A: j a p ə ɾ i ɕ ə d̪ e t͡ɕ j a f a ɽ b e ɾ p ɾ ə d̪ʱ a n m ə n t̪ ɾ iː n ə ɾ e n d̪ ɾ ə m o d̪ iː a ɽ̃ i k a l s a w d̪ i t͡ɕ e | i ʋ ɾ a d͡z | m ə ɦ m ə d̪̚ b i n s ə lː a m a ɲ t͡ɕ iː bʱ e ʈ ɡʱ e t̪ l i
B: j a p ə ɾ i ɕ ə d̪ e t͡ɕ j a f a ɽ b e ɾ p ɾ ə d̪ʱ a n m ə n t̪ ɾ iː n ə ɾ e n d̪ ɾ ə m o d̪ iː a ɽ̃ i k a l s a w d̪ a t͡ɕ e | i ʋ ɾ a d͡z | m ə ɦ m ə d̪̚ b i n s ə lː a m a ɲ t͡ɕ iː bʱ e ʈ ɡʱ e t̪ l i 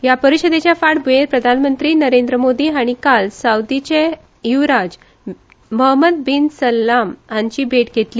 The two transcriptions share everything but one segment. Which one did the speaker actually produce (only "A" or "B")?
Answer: A